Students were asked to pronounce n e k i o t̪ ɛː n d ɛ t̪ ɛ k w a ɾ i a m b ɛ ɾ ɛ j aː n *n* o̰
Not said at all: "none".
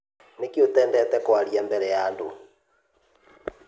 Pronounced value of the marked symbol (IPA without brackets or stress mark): d